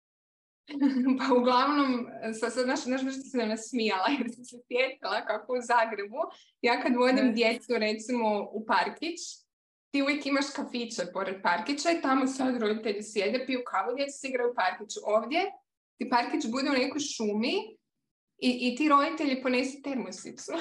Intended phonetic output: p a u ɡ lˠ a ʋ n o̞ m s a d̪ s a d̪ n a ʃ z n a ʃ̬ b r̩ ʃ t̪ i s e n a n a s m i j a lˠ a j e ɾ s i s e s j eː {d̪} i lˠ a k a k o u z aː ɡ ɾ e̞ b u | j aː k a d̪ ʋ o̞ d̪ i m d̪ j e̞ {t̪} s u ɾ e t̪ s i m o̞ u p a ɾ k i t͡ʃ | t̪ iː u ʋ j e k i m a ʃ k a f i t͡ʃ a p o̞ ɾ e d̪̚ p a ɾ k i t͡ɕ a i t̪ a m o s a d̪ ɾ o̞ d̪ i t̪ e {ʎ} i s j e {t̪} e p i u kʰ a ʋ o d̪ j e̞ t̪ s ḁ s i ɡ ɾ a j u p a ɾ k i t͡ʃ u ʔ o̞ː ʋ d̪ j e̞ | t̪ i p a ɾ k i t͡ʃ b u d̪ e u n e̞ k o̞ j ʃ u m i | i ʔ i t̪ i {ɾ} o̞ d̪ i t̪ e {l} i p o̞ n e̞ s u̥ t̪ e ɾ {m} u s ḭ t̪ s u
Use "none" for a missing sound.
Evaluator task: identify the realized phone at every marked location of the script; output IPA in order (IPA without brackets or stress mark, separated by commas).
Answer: t̪, t̪, ʎ, d̪, ɾ, ʎ, m